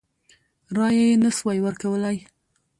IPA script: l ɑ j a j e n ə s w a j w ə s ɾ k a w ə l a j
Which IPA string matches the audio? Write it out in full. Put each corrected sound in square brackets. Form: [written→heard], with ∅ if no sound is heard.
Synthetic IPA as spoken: [l→ɾ] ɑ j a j e n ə s w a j w ə [s→∅] ɾ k a w ə l a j